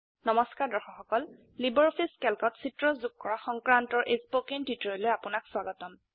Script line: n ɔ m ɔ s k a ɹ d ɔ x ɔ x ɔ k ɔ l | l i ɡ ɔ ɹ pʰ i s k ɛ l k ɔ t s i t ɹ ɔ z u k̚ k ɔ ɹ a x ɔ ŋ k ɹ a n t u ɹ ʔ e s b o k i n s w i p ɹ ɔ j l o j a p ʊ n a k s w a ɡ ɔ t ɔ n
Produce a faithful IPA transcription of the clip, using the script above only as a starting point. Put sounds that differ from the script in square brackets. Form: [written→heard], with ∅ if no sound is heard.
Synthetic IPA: n ɔ m ɔ s k a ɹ d ɔ x ɔ x ɔ k ɔ l | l i [ɡ→b] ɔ ɹ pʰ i s k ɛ l k ɔ t s i t ɹ ɔ z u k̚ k ɔ ɹ a x ɔ ŋ k ɹ a n t [u→ɔ] ɹ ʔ e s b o k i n [s→t] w i [p→t] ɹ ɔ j l o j a p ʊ n a k s w a ɡ ɔ t ɔ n